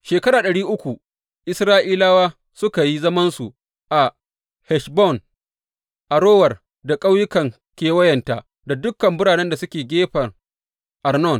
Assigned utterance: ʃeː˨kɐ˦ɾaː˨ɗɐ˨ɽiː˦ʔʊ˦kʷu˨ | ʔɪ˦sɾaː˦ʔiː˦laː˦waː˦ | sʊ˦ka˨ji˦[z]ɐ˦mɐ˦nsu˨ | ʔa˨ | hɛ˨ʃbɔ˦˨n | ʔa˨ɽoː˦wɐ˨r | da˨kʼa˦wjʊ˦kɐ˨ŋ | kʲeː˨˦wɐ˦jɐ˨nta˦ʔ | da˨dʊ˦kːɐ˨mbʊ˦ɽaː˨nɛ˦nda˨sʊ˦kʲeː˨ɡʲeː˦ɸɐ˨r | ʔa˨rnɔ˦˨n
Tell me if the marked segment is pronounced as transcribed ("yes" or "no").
yes